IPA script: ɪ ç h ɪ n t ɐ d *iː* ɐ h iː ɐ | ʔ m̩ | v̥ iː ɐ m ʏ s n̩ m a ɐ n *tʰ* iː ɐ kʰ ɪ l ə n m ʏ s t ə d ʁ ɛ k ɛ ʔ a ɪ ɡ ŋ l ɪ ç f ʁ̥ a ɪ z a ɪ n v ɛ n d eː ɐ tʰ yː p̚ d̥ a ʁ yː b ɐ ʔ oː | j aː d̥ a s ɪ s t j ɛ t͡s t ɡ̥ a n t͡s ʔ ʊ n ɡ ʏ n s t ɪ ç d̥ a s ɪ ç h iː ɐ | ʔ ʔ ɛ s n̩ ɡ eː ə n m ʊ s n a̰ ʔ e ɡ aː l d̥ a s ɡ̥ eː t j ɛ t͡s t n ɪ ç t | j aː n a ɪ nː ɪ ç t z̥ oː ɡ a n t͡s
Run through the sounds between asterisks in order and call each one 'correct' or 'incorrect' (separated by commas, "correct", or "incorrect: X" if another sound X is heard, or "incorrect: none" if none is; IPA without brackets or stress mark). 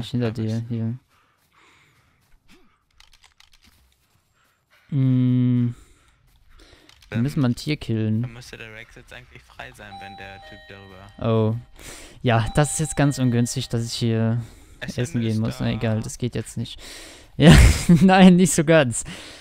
correct, correct